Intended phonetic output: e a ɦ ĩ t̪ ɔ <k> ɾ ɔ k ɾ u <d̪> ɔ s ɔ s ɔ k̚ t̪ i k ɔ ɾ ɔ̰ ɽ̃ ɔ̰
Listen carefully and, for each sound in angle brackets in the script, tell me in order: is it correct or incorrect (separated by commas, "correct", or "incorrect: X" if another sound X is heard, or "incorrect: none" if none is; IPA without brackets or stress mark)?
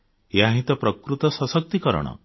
incorrect: p, incorrect: t̪